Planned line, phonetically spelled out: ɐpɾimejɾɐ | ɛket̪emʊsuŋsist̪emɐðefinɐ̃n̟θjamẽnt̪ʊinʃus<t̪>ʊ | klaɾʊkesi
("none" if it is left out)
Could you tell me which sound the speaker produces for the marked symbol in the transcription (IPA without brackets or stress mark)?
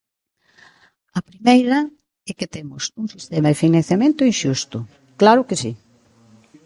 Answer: t̪